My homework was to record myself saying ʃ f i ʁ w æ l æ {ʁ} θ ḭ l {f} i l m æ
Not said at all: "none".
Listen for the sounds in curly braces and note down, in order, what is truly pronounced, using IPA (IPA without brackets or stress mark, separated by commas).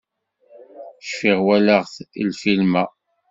ʁ, f